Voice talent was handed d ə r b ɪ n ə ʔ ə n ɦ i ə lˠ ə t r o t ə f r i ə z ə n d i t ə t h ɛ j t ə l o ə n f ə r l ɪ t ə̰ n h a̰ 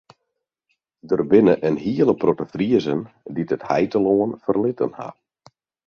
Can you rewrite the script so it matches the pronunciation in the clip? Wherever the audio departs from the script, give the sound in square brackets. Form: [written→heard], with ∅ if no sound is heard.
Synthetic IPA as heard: d ə r b ɪ n ə ʔ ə n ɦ i ə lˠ ə [t→p] r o t ə f r i ə z ə n d i t ə t h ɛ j t ə l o ə n f ə r l ɪ t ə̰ n h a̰